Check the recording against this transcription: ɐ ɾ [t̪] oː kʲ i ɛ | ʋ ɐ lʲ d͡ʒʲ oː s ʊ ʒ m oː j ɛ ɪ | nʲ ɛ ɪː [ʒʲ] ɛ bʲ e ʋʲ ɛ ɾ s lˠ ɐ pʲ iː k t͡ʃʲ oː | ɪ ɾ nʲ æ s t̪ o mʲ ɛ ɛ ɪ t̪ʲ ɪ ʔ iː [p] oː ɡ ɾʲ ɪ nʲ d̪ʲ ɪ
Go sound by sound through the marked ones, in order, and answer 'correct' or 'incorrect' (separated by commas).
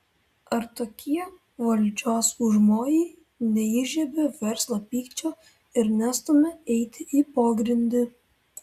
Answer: correct, correct, correct